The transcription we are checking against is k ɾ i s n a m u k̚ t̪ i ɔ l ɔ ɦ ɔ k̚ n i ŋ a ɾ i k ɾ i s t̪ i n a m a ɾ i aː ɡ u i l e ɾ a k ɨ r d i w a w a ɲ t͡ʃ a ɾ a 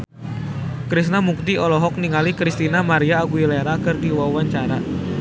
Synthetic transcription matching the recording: k ɾ i s n a m u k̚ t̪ i ɔ l ɔ ɦ ɔ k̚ n i ŋ a l i k ɾ i s t̪ i n a m a ɾ i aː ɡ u i l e ɾ a k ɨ r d i w a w a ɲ t͡ʃ a ɾ a